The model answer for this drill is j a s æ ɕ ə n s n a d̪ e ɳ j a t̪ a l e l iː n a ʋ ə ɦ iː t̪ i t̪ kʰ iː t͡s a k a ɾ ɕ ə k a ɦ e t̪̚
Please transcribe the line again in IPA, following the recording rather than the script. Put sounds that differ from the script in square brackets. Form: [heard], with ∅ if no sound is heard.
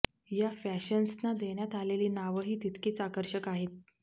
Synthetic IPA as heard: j a [f] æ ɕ ə n s n a d̪ e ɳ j a t̪ a l e l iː n a ʋ ə ɦ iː t̪ i t̪ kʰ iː t͡s a k [ə] ɾ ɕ ə k a ɦ e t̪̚

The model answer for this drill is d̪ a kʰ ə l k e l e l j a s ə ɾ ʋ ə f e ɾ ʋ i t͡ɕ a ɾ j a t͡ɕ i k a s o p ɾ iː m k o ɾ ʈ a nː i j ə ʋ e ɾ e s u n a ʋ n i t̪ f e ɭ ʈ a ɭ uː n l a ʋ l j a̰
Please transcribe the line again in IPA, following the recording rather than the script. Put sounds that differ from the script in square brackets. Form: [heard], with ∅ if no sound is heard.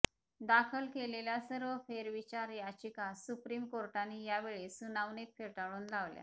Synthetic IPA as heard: d̪ a kʰ ə l k e l e l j a s ə ɾ ʋ ə f e ɾ ʋ i t͡ɕ a ɾ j a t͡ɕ i k a s [u] p ɾ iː m k o ɾ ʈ a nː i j [a] ʋ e [ɭ] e s u n a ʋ n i t̪ f e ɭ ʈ a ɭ uː n l a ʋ l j a̰

